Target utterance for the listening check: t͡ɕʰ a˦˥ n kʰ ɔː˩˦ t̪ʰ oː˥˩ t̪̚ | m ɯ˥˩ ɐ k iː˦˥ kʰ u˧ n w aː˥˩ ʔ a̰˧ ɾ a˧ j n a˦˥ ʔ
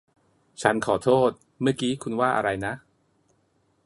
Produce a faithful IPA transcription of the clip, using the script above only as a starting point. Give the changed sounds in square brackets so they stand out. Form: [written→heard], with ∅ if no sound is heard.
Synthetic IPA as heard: t͡ɕʰ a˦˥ n kʰ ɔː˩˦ t̪ʰ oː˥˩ t̪̚ | m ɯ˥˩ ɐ k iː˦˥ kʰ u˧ n w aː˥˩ ʔ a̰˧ ɾ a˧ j n a˦˥ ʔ